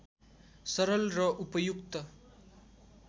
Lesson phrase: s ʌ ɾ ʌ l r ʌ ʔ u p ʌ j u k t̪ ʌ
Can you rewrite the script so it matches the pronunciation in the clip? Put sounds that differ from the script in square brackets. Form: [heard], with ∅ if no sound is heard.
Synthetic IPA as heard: s ʌ ɾ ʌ l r ʌ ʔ u p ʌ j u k t̪ ʌ